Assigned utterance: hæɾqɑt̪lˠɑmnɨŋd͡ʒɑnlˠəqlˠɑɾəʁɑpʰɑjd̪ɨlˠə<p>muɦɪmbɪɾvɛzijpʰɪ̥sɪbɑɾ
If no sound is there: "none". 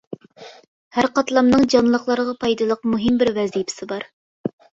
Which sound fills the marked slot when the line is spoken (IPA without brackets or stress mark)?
q